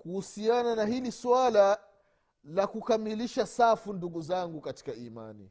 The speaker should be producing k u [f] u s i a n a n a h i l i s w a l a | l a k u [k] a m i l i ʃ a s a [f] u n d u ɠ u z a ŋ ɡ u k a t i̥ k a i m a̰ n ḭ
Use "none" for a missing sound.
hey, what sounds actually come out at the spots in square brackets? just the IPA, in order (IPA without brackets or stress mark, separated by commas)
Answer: h, k, f